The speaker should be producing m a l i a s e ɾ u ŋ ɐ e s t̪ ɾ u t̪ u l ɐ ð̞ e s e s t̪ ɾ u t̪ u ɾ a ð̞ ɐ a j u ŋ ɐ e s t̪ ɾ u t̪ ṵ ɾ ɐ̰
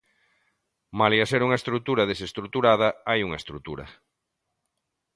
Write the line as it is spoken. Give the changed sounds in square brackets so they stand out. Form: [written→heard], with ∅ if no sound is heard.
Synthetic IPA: m a l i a s e ɾ u ŋ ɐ e s t̪ ɾ u t̪ u [l→ɾ] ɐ ð̞ e s e s t̪ ɾ u t̪ u ɾ a ð̞ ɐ a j u ŋ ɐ e s t̪ ɾ u t̪ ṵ ɾ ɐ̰